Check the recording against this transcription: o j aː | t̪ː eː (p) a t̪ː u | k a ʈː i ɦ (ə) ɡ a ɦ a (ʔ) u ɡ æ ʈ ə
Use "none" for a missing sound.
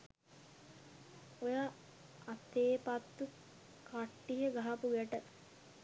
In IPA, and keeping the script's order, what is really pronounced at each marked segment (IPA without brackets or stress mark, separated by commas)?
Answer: p, ə, p